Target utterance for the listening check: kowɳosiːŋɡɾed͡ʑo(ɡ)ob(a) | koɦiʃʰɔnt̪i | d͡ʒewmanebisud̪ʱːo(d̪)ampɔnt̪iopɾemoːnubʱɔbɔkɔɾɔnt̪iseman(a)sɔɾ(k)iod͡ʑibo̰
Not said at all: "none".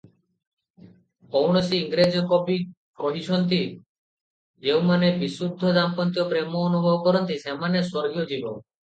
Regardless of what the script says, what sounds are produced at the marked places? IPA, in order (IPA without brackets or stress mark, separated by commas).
k, i, d̪, e, ɡ